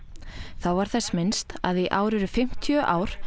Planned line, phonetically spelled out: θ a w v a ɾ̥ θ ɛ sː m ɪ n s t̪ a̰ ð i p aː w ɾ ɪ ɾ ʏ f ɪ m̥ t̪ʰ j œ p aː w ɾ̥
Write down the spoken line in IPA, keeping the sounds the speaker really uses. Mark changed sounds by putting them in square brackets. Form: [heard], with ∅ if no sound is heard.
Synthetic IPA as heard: θ a w v a ɾ̥ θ ɛ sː m ɪ n s t̪ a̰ ð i [ʔ] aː w ɾ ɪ ɾ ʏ f ɪ m̥ t̪ʰ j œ [ʔ] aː w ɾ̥